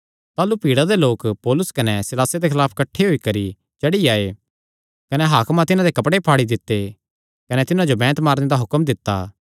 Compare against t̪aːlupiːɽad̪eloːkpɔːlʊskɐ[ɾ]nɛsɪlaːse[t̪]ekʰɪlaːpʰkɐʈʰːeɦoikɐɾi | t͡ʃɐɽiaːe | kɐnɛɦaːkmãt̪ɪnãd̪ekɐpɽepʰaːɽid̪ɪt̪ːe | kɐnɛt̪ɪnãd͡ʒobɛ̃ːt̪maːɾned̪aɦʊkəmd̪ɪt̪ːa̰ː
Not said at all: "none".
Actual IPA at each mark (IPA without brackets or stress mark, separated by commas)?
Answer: none, d̪